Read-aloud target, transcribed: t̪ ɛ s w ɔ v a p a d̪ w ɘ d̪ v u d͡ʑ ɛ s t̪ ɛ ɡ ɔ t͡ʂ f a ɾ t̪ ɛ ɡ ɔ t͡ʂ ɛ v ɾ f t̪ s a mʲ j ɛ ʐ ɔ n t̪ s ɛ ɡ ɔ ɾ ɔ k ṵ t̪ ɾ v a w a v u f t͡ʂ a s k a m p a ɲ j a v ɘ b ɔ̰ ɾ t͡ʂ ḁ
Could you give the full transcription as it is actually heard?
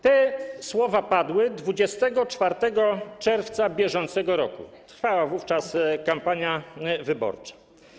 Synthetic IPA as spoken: t̪ ɛ s w ɔ v a p a d̪ w ɘ d̪ v u d͡ʑ ɛ s t̪ ɛ ɡ ɔ t͡ʂ f a ɾ t̪ ɛ ɡ ɔ t͡ʂ ɛ ɾ f t̪ s a bʲ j ɛ ʐ ɔ n t̪ s ɛ ɡ ɔ ɾ ɔ k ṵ t̪ ɾ f a w a v u f t͡ʂ a s k a m p a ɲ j a v ɘ b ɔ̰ ɾ t͡ʂ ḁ